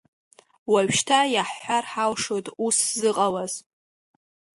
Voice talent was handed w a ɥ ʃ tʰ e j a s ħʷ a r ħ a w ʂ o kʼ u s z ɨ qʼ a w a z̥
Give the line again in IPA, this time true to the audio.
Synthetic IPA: w a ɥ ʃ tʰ a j a ħ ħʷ a r ħ a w ʂ o tʼ u s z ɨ qʼ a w a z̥

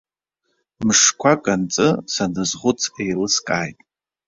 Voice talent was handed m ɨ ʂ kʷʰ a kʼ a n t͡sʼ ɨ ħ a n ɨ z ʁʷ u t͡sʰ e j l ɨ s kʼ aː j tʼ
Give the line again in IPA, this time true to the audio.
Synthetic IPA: m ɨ ʂ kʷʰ a kʼ a n t͡sʼ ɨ s a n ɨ z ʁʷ ʊ t͡sʰ e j l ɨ s kʼ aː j tʼ

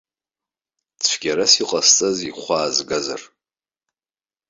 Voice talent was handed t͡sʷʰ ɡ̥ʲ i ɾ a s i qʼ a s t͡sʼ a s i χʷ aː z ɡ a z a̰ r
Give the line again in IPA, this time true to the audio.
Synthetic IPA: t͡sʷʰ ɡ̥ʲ a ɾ a s i qʼ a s t͡sʼ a z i χʷ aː z ɡ a z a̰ r

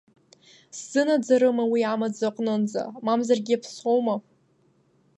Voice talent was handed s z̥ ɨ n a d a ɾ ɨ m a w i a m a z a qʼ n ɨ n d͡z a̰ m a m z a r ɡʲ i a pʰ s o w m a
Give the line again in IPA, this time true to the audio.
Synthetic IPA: s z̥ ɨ n a d͡z a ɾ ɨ m a w i a m a d͡z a qʼ n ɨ n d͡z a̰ m a m z a r ɡʲ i a pʰ s o w m a

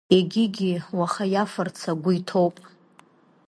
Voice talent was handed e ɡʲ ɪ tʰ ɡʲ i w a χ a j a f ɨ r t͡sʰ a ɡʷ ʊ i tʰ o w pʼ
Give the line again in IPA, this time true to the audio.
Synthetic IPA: e ɡʲ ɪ ɡʲ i w a χ a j a f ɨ r t͡sʰ a ɡʷ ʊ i tʰ o w pʼ

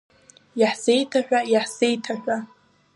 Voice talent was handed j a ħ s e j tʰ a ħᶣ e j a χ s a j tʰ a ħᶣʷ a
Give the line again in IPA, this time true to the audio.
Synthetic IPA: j a ħ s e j tʰ a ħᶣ a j a ħ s e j tʰ a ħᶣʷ a

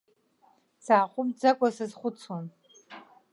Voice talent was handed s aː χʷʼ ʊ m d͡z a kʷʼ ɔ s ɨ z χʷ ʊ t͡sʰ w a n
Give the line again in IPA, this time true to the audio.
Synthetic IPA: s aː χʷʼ ʊ m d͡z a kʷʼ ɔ s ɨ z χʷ ʊ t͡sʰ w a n

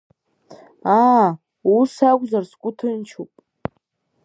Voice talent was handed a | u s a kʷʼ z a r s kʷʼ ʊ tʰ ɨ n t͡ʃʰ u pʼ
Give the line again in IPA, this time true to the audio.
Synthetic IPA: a | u s a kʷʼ z a r s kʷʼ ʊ tʰ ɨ n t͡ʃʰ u pʼ

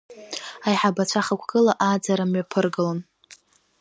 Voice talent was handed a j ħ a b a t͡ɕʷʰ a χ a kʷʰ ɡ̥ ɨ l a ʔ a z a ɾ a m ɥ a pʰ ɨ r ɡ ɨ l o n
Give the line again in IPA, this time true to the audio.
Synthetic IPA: a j ħ a b a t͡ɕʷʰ a χ a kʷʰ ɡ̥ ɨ l a ʔ a d͡z a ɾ a m ɥ a pʰ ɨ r ɡ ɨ l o n

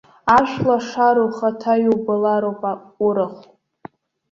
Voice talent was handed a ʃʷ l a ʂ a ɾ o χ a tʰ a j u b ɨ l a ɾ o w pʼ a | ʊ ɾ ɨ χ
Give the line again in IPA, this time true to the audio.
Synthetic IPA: a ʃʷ l a ʂ a ɾ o χ a tʰ a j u b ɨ l a ɾ o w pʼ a | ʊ ɾ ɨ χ

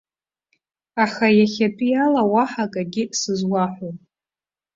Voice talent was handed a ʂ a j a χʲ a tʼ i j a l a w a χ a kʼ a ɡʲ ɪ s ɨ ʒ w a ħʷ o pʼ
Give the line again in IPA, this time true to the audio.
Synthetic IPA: a χ a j a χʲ a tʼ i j a l a w a ħ a kʼ a ɡʲ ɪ s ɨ z w a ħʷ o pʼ

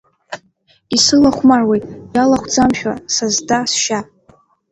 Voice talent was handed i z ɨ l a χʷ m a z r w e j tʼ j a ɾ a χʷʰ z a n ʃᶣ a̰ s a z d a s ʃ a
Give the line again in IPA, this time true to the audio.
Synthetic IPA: i s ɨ l a χʷ m a r w e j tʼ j a l a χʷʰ d͡z a m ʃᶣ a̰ s a z d a s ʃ a

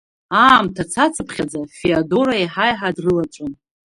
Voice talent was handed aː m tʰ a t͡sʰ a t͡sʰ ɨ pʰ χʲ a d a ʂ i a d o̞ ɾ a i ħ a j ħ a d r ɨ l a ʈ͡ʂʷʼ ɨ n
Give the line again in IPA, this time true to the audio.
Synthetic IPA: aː m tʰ a t͡sʰ a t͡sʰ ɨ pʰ χʲ a d͡z a f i a d o̞ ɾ a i ħ a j ħ a d r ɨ l a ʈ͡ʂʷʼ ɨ n

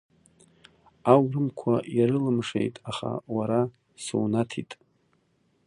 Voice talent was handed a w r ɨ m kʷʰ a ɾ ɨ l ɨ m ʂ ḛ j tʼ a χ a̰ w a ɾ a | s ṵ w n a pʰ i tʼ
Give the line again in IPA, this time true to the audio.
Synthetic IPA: a w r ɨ m kʷʰ a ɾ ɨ l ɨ m ʂ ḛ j tʼ a χ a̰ w a ɾ a | s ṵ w n a tʰ i tʼ

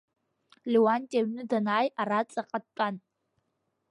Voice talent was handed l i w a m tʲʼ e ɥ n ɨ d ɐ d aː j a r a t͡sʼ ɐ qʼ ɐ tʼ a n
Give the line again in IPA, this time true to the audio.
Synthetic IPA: l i w a n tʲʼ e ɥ n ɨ d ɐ n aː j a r a t͡sʼ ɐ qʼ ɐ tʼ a n

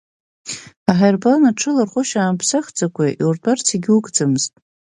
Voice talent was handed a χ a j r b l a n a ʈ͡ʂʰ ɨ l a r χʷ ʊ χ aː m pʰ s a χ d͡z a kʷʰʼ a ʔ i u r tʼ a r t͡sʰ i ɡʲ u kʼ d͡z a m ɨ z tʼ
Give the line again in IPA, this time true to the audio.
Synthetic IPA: a ħ a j r b l a n a ʈ͡ʂʰ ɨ l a r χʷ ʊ ʃ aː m pʰ s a χ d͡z a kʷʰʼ a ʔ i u r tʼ a r t͡sʰ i ɡʲ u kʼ d͡z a m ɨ z tʼ

